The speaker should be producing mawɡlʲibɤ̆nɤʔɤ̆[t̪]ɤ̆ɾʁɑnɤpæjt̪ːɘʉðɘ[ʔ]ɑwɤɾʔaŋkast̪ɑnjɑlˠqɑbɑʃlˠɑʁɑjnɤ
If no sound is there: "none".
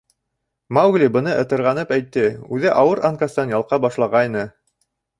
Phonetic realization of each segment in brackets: t̪, ʔ

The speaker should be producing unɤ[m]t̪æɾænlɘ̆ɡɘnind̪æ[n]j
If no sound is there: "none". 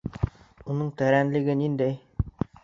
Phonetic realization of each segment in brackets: ɴ, none

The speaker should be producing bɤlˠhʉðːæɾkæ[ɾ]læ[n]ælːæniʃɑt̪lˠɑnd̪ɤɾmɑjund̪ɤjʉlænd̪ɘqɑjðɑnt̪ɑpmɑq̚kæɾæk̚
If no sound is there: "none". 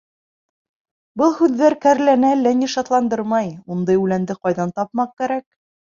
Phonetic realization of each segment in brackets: ɾ, n

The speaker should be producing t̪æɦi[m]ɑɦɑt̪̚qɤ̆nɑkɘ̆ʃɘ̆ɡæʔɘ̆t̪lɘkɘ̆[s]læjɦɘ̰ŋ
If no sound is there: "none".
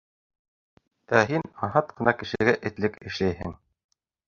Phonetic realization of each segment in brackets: n, ʃ

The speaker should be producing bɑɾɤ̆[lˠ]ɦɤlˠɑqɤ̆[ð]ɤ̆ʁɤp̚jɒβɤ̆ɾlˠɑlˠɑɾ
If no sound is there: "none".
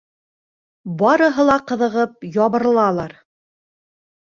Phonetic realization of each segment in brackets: none, ð

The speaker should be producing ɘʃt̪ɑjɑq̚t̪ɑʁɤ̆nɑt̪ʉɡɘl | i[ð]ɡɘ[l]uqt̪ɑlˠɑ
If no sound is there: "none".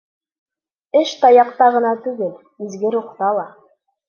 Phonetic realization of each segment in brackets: z, ɾ

